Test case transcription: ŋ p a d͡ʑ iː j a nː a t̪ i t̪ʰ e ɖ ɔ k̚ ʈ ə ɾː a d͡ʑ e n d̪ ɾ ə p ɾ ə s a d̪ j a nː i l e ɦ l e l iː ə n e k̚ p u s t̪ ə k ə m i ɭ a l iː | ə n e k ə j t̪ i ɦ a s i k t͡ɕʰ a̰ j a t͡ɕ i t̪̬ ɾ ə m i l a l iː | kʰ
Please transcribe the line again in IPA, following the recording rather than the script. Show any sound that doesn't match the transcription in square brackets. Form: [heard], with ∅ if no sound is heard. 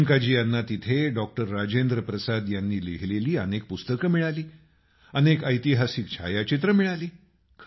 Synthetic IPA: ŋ [k] a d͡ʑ iː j a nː a t̪ i t̪ʰ e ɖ ɔ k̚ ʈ ə ɾː a d͡ʑ e n d̪ ɾ ə p ɾ ə s a d̪ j a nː [iː] l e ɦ l e l iː ə n e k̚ p u s t̪ ə k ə m i ɭ a l iː | ə n e k ə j t̪ i ɦ a s i k t͡ɕʰ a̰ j a t͡ɕ i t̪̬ ɾ ə m i [ɭ] a l iː | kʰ